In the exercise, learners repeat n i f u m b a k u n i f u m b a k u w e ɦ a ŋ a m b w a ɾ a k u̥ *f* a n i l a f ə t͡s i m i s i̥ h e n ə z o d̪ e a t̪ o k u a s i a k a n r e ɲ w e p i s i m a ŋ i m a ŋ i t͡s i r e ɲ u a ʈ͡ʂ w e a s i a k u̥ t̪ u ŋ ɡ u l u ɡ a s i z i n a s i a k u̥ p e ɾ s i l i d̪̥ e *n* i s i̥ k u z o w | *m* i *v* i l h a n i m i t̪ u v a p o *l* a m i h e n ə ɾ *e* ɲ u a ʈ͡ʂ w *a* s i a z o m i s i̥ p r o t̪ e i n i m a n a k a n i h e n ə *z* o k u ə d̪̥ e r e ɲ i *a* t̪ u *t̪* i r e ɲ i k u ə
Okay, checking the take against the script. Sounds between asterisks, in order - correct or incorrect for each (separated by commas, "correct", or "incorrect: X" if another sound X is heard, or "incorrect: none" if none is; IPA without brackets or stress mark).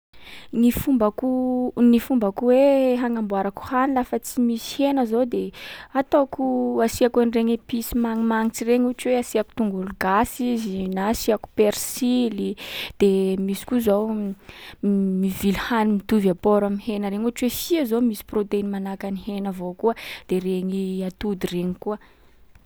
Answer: incorrect: h, incorrect: m, correct, correct, incorrect: ɾ, correct, incorrect: e, incorrect: v, correct, incorrect: d̪